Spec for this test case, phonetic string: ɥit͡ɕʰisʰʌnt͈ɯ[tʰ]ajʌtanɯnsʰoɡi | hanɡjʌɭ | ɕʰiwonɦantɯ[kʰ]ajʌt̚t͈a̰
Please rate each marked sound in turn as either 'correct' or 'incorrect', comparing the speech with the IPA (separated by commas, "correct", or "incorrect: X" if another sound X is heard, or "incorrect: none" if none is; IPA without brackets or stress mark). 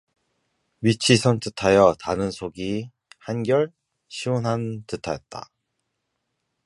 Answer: correct, incorrect: tʰ